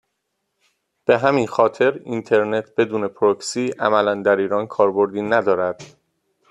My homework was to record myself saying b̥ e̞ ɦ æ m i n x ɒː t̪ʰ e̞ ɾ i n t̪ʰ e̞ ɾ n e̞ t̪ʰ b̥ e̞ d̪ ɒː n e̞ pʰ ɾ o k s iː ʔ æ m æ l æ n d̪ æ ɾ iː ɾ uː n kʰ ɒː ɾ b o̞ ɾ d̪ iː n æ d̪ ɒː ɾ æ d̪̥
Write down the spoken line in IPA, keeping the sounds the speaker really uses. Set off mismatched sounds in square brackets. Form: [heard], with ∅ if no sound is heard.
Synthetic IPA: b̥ e̞ ɦ æ m i n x ɒː t̪ʰ e̞ ɾ i n t̪ʰ e̞ ɾ n e̞ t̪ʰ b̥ e̞ d̪ [uː] n e̞ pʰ ɾ o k s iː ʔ æ m æ l æ n d̪ æ ɾ iː ɾ [ɒː] n kʰ ɒː ɾ b o̞ ɾ d̪ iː n æ d̪ ɒː ɾ æ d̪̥

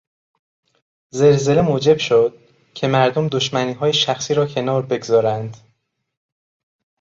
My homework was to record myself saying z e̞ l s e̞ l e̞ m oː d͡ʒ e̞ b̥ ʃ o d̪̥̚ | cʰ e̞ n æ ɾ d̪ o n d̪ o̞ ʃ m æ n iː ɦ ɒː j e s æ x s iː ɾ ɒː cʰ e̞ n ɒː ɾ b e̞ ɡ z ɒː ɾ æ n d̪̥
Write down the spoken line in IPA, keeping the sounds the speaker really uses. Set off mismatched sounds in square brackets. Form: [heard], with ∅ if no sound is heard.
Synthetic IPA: z e̞ l [z] e̞ l e̞ m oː d͡ʒ e̞ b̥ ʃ o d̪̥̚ | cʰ e̞ [m] æ ɾ d̪ o [m] d̪ o̞ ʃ m æ n iː ɦ ɒː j e [ʃ] æ x s iː ɾ ɒː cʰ e̞ n ɒː ɾ b e̞ ɡ z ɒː ɾ æ n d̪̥

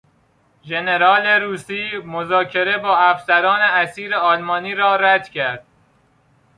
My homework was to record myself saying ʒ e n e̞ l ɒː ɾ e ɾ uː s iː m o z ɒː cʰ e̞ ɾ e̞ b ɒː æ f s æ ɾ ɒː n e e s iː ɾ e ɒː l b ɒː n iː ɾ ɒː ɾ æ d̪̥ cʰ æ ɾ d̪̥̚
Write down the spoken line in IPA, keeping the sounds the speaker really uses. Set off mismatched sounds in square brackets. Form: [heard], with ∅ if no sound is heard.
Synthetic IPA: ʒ e n e̞ [ɾ] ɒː [l] e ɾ uː s iː m o z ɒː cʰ e̞ ɾ e̞ b ɒː æ f s æ ɾ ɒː n e [æ] s iː ɾ e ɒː l [m] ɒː n iː ɾ ɒː ɾ æ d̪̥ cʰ æ ɾ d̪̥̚

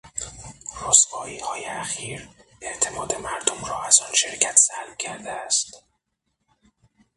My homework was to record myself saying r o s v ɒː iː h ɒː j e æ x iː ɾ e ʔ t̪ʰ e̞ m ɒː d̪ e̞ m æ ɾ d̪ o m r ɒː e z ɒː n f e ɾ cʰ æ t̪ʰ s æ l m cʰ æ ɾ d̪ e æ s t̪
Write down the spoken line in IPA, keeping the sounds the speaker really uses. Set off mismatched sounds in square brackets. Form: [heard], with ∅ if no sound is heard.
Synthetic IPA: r o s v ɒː iː h ɒː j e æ x iː ɾ e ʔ t̪ʰ e̞ m ɒː d̪ e̞ m æ ɾ d̪ o m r ɒː [æ] z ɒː n [ʃ] e ɾ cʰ æ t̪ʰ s æ l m cʰ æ ɾ d̪ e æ s t̪

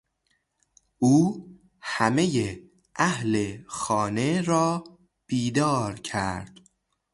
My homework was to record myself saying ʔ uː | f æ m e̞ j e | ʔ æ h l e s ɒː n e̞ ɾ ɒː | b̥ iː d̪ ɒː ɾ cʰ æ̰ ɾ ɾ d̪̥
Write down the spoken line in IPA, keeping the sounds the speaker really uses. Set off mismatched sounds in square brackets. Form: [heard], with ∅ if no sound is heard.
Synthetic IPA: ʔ uː | [h] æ m e̞ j e | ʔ æ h l e [x] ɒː n e̞ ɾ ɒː | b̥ iː d̪ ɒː ɾ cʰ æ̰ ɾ ɾ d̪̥

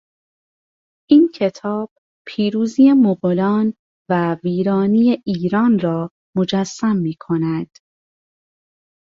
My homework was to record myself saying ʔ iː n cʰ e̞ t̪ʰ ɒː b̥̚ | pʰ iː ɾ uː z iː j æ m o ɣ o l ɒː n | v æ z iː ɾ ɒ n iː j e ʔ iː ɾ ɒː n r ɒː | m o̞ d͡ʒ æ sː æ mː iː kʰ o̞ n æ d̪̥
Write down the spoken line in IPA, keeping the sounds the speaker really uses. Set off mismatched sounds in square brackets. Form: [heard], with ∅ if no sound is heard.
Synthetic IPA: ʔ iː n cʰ e̞ t̪ʰ ɒː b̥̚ | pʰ iː ɾ uː z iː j [e] m o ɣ o l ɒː n | v æ [v] iː ɾ [ɒː] n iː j e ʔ iː ɾ ɒː n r ɒː | m o̞ d͡ʒ æ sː æ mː iː kʰ o̞ n æ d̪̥

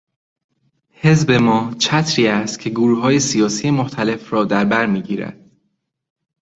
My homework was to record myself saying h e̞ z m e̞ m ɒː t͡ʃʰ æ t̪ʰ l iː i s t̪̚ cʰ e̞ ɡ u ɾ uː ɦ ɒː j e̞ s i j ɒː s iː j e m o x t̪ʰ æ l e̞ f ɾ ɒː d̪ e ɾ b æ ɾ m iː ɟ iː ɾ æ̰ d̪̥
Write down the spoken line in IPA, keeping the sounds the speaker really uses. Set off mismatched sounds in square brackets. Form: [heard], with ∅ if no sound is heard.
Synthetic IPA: h e̞ z [b] e̞ m ɒː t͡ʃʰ æ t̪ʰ [ɾ] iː [æ] s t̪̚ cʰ e̞ ɡ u ɾ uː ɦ ɒː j e̞ s i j ɒː s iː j e m o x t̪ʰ æ l e̞ f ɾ ɒː d̪ [æ] ɾ b æ ɾ m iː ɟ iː ɾ æ̰ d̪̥

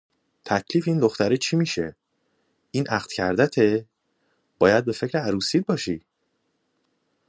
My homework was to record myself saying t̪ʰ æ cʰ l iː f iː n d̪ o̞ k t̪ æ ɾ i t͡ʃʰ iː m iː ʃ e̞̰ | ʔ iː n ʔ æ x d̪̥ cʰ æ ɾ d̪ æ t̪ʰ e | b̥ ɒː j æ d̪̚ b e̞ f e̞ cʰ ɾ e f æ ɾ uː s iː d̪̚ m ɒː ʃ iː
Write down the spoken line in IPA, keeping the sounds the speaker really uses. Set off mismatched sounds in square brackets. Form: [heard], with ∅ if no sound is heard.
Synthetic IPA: t̪ʰ æ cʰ l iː f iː n d̪ o̞ [x] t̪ æ ɾ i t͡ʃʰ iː m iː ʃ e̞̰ | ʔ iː n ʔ æ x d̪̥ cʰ æ ɾ d̪ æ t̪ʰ e | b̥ ɒː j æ d̪̚ b e̞ f e̞ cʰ ɾ e [∅] æ ɾ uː s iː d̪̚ [b] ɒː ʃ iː

